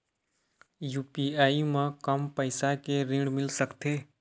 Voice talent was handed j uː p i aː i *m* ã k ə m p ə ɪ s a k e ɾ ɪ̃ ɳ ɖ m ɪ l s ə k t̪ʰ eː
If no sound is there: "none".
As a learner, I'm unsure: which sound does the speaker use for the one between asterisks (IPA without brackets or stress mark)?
m